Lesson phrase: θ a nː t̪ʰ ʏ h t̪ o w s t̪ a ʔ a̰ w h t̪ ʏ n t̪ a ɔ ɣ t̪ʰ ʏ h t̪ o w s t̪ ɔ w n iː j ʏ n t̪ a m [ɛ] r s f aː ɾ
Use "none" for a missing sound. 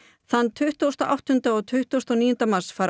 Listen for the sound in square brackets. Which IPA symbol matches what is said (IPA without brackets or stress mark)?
a